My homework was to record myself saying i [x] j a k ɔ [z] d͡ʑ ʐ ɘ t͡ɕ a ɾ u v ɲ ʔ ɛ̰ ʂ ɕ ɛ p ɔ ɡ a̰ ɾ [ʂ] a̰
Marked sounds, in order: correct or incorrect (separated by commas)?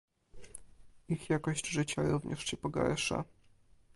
correct, incorrect, correct